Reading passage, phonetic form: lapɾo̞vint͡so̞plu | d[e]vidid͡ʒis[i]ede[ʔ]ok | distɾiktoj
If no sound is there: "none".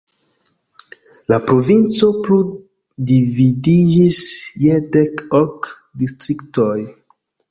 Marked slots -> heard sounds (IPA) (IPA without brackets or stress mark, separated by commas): i, j, k